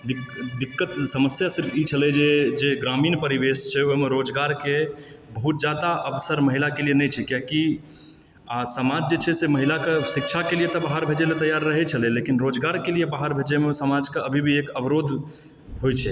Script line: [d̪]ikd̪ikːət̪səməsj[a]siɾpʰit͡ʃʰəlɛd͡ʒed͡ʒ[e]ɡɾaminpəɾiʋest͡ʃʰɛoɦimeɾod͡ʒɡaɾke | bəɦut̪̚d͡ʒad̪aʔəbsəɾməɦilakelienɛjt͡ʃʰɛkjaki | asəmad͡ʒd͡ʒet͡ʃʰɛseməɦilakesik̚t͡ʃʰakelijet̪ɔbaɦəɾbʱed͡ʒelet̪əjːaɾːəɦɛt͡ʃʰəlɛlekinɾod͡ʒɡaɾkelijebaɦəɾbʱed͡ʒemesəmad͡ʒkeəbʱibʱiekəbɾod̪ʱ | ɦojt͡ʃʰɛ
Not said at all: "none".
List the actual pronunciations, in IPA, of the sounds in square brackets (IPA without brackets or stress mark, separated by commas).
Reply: d̪, a, e